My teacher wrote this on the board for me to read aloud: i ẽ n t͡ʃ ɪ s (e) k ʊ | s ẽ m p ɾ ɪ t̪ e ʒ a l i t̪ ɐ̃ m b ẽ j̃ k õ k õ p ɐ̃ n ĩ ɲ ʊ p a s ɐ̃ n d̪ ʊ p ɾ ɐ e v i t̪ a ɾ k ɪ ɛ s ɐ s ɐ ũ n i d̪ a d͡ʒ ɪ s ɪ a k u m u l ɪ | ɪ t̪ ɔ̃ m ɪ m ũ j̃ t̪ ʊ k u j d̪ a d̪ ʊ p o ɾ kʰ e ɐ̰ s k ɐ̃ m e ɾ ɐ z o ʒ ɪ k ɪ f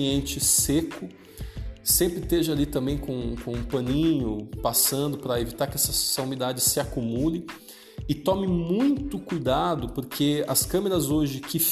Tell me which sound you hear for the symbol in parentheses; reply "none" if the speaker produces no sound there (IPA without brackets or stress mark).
e